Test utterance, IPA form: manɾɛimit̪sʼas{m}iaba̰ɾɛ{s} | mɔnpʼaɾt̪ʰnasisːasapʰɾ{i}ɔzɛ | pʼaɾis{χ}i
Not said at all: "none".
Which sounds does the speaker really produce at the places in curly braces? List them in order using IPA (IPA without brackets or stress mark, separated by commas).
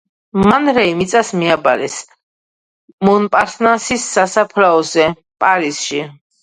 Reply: m, s, a, ʃ